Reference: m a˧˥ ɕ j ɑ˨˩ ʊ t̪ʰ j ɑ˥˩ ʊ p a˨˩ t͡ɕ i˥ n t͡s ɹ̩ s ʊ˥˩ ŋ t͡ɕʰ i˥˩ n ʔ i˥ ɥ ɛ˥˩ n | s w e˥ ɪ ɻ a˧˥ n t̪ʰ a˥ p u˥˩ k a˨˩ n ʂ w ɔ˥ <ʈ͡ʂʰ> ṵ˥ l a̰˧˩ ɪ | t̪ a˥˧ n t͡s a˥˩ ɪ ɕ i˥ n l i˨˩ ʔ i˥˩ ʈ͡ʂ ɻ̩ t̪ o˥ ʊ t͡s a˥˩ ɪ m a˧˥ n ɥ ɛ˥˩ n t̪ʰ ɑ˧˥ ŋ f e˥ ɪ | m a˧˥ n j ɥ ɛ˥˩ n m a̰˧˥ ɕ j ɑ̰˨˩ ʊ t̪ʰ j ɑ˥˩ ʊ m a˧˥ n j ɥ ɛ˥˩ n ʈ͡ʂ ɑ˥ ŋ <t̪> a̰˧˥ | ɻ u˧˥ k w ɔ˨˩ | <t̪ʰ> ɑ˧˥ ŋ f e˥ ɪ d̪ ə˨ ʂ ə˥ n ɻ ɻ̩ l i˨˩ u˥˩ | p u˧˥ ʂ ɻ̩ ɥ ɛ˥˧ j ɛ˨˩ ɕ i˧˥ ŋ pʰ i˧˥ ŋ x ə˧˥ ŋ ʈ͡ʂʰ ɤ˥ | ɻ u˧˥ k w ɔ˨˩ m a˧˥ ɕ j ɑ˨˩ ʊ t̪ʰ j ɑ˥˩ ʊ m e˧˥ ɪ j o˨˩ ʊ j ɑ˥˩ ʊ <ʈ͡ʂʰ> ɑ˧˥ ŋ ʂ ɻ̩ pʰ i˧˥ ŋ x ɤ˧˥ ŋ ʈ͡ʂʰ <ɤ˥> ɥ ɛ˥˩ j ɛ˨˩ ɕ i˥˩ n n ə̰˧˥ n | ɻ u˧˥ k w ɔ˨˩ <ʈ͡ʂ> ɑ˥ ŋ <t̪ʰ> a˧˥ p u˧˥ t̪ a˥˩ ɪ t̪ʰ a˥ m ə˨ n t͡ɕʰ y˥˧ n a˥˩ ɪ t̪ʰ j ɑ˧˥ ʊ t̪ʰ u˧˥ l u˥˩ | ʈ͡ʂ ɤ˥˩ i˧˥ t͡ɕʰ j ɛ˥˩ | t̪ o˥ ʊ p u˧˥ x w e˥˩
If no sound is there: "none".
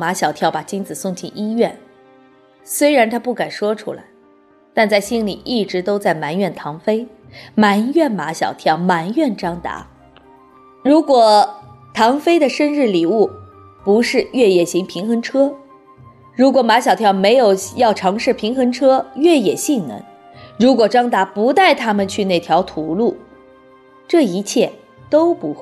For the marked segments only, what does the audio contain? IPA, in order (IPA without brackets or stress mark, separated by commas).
ʈ͡ʂʰ, t̪, t̪ʰ, ʈ͡ʂʰ, ɤ˥, ʈ͡ʂ, t̪